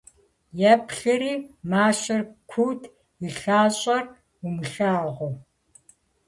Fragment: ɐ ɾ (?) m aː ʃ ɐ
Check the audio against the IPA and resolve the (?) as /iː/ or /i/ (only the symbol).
iː